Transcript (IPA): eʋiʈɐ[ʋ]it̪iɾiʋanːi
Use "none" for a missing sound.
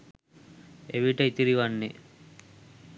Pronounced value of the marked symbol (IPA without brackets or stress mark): none